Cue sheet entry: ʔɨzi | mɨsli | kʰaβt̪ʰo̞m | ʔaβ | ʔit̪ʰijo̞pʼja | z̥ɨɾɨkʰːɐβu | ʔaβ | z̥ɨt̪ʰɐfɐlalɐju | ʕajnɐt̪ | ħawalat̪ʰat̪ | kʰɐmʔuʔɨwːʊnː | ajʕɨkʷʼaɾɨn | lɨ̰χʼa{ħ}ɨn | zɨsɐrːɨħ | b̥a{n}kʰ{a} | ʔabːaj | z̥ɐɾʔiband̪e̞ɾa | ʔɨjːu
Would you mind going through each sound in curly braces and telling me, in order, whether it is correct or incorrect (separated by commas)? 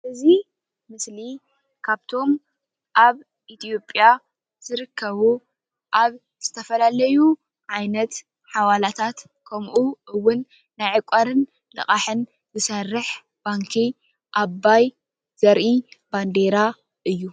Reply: correct, incorrect, incorrect